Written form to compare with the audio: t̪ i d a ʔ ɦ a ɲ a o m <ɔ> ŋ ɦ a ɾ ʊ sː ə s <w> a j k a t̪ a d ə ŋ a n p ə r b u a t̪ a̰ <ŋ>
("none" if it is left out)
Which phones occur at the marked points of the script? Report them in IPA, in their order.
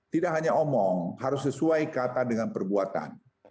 ɔ, u, n

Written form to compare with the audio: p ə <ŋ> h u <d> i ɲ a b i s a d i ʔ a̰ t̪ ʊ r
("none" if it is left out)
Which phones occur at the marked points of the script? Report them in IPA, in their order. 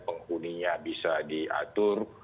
ŋ, n

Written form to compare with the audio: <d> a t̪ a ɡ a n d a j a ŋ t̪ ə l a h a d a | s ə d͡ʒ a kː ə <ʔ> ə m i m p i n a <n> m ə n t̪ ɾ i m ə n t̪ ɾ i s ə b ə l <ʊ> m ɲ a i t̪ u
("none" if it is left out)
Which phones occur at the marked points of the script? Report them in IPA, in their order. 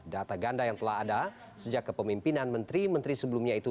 d, p, n, u

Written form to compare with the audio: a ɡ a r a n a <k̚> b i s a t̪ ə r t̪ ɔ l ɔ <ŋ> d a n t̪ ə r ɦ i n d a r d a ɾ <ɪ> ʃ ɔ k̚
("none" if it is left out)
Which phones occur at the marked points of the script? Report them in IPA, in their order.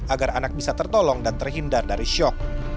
k̚, ŋ, i

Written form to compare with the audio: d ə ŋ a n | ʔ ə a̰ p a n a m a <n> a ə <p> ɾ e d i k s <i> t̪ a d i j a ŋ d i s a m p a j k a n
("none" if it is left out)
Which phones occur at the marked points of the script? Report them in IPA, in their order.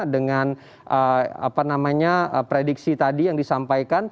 ɲ, p, i

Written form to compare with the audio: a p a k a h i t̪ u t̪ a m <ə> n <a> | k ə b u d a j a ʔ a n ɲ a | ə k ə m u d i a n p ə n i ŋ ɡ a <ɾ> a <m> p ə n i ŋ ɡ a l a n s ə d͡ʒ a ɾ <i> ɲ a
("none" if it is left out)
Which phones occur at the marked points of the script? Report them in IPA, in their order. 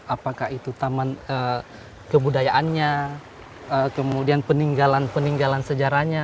a, ə, l, n, a

